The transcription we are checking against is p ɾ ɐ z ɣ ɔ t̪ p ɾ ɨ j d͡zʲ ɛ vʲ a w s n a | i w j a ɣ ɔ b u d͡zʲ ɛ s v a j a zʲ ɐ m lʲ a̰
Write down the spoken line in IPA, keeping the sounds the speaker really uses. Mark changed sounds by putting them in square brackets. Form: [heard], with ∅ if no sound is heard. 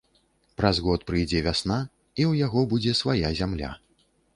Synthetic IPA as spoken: p ɾ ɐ z ɣ ɔ t̪ p ɾ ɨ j d͡zʲ ɛ vʲ a [∅] s n a | i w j a ɣ ɔ b u d͡zʲ ɛ s v a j a zʲ [a] m lʲ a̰